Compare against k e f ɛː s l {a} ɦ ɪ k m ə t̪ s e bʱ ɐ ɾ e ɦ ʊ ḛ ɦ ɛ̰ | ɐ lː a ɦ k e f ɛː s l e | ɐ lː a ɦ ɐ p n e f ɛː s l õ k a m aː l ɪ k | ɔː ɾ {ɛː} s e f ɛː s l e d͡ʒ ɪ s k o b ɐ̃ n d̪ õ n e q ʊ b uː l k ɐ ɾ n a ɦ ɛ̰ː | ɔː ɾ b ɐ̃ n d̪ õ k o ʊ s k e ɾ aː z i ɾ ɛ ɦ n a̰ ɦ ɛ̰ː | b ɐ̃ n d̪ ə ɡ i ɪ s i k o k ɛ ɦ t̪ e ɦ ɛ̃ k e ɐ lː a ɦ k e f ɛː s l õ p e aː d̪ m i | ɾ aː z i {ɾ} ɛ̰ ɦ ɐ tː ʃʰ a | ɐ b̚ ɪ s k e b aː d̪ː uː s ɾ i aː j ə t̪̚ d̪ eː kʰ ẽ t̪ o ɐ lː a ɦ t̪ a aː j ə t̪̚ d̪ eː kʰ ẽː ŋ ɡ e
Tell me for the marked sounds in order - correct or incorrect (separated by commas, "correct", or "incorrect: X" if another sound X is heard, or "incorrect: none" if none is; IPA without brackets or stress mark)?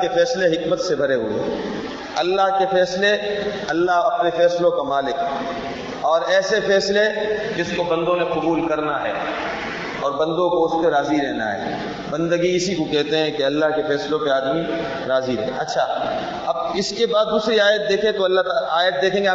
incorrect: e, correct, correct